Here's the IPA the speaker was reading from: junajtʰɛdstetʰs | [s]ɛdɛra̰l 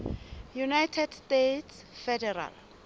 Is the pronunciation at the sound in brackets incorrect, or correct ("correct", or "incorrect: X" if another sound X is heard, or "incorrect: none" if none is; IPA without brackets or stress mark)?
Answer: incorrect: f